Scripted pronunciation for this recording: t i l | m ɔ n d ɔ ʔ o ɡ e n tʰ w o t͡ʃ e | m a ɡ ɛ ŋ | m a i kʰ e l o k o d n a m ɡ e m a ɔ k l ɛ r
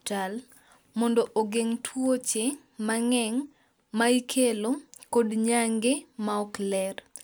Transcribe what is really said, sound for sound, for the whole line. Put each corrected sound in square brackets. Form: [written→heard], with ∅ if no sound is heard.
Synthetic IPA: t [i→a] l | m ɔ n d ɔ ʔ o ɡ e [n→ŋ] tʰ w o t͡ʃ e | m a [ɡ→ŋ] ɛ ŋ | m a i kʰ e l o k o d [n→ɲ] a [m→ŋ] ɡ e m a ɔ k l ɛ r